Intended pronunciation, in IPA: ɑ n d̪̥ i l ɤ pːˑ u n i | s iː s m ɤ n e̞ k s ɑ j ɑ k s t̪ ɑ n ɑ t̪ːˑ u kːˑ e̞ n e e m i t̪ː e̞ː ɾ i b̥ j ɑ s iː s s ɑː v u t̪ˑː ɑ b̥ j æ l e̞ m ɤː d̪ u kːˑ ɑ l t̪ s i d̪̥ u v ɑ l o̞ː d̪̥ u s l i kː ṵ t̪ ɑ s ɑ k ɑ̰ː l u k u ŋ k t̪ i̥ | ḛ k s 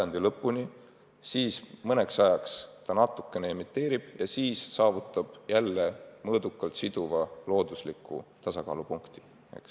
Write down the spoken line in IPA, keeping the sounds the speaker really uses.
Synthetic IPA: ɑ n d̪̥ i l ɤ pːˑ u n i | s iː s m ɤ n e̞ k s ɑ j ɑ k s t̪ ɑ n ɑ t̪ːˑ u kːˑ e̞ n e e m i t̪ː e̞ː ɾ i b̥ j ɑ s iː s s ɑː v u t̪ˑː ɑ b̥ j æ lː e̞ m ɤː d̪ u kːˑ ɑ l t̪ s i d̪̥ u v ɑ l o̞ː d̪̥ u s l i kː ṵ t̪ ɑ s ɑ k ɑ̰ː l u p u ŋ k t̪ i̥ | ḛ k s

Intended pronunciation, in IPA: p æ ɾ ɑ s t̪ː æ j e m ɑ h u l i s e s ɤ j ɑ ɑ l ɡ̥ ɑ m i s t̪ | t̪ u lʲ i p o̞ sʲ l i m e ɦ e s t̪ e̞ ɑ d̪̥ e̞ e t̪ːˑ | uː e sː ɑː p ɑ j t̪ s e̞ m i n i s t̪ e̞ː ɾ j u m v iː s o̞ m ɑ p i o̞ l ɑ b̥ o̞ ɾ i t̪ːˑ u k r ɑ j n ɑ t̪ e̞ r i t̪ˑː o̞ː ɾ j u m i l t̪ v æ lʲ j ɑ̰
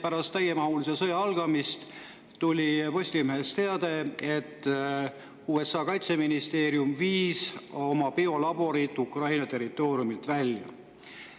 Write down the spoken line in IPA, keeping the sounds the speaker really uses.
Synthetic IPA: p æ ɾ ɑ s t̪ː æ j e m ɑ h u l i s e s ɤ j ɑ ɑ l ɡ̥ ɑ m i s t̪ | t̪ u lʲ i p o̞ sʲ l i m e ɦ e s t̪ e̞ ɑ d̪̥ e̞ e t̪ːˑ | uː e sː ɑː k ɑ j t̪ s e̞ m i n i s t̪ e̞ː ɾ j u m v iː s o̞ m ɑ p i o̞ l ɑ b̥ o̞ ɾ i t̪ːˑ u k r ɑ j n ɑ t̪ e̞ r i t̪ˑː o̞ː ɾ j u m i l t̪ v æ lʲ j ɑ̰

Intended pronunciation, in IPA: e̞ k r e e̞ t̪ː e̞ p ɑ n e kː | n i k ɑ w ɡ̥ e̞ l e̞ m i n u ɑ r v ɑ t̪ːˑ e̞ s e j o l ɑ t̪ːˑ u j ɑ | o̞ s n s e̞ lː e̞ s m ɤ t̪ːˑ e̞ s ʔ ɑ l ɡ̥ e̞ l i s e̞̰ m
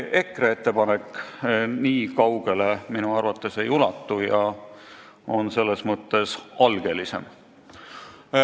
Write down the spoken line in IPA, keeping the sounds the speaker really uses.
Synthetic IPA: e̞ k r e e̞ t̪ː e̞ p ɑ n e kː | n iː k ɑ w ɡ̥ e̞ l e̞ m i n u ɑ r v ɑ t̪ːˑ e̞ s e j u l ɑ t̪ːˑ u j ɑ | o̞ n s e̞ lː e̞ s m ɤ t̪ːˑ e̞ s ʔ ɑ l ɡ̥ e̞ l i s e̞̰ m

